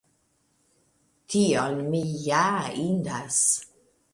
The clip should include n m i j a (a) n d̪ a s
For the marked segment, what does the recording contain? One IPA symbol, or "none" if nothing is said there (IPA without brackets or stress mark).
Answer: i